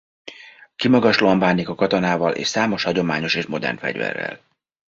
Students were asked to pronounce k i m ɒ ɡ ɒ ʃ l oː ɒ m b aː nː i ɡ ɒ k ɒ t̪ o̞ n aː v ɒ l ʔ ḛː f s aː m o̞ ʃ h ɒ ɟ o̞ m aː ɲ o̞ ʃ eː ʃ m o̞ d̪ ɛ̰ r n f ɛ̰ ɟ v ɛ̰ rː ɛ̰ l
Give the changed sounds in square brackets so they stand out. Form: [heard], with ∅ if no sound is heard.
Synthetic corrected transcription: k i m ɒ ɡ ɒ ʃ l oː ɒ m b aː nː i [k] ɒ k ɒ t̪ o̞ n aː v ɒ l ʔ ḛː [ʃ] s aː m o̞ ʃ h ɒ ɟ o̞ m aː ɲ o̞ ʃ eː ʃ m o̞ d̪ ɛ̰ r n f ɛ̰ ɟ v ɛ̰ rː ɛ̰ l

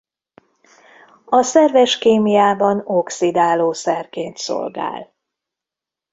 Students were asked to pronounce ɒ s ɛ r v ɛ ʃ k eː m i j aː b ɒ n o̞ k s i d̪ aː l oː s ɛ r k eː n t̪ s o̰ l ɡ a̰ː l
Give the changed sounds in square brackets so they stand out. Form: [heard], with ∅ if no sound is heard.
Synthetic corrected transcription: ɒ s ɛ r v ɛ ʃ k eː m i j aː b ɒ n o̞ k s i d̪ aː l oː s ɛ r k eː n t̪ s o̰ l ɡ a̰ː l

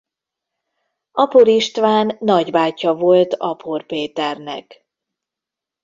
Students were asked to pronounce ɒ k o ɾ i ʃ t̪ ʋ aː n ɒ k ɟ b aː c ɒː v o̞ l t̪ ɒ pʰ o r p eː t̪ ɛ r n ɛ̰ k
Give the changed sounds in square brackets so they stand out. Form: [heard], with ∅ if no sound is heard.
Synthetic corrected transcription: ɒ [p] o ɾ i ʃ t̪ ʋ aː [nː] ɒ [∅] ɟ b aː c [ɒ] v o̞ l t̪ ɒ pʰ o r p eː t̪ ɛ r n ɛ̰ k

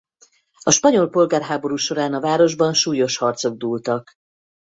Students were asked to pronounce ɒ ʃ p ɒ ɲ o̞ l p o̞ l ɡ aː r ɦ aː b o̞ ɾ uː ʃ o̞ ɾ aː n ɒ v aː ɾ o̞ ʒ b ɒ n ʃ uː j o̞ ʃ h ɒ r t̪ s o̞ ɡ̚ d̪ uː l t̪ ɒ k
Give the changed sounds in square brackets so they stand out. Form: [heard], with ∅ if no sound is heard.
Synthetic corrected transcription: ɒ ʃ p ɒ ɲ o̞ l p o̞ l ɡ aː r ɦ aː b o̞ ɾ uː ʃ o̞ ɾ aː n ɒ v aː ɾ o̞ ʒ b ɒ n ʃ uː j o̞ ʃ h ɒ r t̪ s o̞ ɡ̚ d̪ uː l t̪ ɒ k

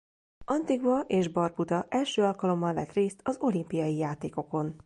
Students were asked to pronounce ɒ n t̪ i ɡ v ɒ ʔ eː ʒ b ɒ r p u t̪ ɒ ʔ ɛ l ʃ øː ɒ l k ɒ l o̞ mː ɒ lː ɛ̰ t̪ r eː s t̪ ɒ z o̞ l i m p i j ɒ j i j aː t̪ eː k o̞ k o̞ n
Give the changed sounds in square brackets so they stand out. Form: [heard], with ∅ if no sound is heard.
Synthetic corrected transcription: ɒ n t̪ i ɡ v ɒ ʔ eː ʒ b ɒ r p u t̪ ɒ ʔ ɛ l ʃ øː ɒ l k ɒ l o̞ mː ɒ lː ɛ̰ t̪ r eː s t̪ ɒ z o̞ l i m p i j ɒ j i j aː t̪ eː k o̞ k o̞ n

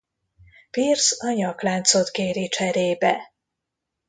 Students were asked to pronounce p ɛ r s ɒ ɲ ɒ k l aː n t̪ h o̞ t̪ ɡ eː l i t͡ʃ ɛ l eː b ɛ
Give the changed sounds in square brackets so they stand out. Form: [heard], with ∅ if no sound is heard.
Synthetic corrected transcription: p [i] r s ɒ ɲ ɒ k l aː n t̪ [s] o̞ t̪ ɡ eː [ɾ] i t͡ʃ ɛ [ɾ] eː b ɛ

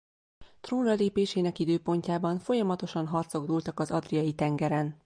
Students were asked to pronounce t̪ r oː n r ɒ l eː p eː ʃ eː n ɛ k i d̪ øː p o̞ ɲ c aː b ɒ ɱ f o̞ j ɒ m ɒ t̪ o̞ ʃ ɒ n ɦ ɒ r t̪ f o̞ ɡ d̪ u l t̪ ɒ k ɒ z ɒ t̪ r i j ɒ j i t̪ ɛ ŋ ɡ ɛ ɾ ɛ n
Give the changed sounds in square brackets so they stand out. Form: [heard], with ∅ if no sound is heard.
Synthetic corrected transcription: t̪ r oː n r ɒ l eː p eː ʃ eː n ɛ k i d̪ øː p o̞ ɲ c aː b ɒ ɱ f o̞ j ɒ m ɒ t̪ o̞ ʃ ɒ n ɦ ɒ r t̪ [s] o̞ ɡ d̪ u l t̪ ɒ k ɒ z ɒ [d̪] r i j ɒ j i t̪ ɛ ŋ ɡ ɛ ɾ ɛ n

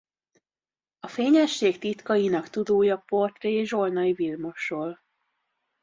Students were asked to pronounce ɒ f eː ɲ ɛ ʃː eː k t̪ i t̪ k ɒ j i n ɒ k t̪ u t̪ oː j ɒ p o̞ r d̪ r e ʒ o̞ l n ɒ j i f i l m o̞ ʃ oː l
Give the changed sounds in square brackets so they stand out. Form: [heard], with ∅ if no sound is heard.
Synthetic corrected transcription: ɒ f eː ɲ ɛ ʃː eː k t̪ i t̪ k ɒ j i n ɒ k t̪ u [d̪] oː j ɒ p o̞ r [t̪] r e ʒ o̞ l n ɒ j i [v] i l m o̞ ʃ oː l

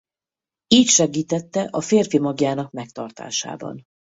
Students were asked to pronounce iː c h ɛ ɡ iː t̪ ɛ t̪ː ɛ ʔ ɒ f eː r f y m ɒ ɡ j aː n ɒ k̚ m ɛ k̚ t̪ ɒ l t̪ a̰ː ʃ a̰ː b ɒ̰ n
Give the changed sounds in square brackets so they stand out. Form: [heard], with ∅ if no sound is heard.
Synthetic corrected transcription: iː c [ʃ] ɛ ɡ iː t̪ ɛ t̪ː ɛ ʔ ɒ f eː r f [i] m ɒ ɡ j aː n ɒ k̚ m ɛ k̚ t̪ ɒ [r] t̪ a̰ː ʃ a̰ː b ɒ̰ n

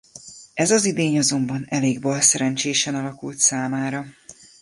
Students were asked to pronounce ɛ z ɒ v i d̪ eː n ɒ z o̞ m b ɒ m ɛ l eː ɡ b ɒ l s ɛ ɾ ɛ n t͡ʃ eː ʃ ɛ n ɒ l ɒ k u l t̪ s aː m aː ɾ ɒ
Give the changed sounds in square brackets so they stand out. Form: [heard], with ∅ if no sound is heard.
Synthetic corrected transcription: ɛ z ɒ [z] i d̪ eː [ɲ] ɒ z o̞ m b ɒ [n] ɛ l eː ɡ b ɒ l s ɛ ɾ ɛ n t͡ʃ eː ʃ ɛ n ɒ l ɒ k u l t̪ s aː m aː ɾ ɒ

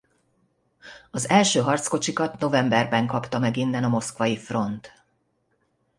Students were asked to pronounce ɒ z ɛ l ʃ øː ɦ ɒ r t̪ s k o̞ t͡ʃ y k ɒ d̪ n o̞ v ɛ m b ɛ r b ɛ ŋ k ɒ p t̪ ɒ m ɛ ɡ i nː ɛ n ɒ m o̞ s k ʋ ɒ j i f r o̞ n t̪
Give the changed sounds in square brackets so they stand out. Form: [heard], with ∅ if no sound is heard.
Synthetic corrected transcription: ɒ z ɛ l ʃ øː ɦ ɒ r t̪ s k o̞ t͡ʃ [i] k ɒ [t̪] n o̞ v ɛ m b ɛ r b ɛ ŋ k ɒ p t̪ ɒ m ɛ ɡ i nː ɛ n ɒ m o̞ s k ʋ ɒ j i f r o̞ n t̪

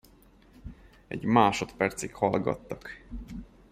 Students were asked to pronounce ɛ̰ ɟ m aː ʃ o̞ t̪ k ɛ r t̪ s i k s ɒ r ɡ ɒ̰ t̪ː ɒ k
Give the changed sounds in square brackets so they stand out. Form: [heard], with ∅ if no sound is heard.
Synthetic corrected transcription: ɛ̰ ɟ m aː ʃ o̞ t̪ [p] ɛ r t̪ s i k [h] ɒ [l] ɡ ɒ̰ t̪ː ɒ k

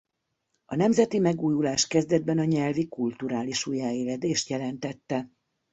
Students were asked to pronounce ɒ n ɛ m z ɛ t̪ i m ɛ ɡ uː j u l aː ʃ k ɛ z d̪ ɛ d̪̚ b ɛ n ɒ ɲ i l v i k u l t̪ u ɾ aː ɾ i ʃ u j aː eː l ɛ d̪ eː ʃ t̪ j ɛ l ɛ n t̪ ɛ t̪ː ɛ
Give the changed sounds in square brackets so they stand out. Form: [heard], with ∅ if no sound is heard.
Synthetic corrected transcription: ɒ n ɛ m z ɛ t̪ i m ɛ ɡ uː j u l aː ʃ k ɛ z d̪ ɛ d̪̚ b ɛ n ɒ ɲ [ɛ] l v i k u l t̪ u ɾ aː [l] i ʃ u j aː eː l ɛ d̪ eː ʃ t̪ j ɛ l ɛ n t̪ ɛ t̪ː ɛ

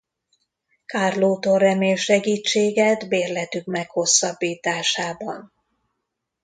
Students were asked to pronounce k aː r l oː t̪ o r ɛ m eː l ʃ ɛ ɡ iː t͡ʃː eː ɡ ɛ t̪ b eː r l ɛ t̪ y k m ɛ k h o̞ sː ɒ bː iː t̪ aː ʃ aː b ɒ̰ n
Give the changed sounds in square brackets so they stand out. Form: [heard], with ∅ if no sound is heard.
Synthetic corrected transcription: k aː r l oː t̪ o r ɛ m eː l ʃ ɛ ɡ iː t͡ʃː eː ɡ ɛ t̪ b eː r l ɛ t̪ y k m ɛ k h o̞ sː ɒ bː iː t̪ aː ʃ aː b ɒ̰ n

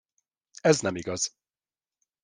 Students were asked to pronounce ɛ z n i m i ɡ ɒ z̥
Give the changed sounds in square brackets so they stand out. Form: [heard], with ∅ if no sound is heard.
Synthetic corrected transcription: ɛ z n [ɛ] m i ɡ ɒ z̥

